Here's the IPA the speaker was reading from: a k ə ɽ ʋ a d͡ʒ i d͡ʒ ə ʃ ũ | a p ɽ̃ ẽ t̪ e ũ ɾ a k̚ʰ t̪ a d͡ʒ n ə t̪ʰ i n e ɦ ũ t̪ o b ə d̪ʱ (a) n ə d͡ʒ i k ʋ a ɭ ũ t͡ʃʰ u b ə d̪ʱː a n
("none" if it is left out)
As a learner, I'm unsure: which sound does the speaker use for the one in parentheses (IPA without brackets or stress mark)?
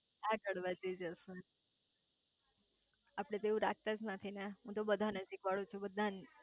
a